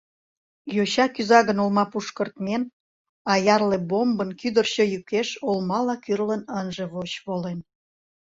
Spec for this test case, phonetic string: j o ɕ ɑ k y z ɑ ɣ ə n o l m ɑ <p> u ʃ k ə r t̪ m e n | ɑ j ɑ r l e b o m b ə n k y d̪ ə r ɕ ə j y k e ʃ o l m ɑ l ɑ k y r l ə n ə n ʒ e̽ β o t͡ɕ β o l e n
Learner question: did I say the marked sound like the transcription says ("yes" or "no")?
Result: yes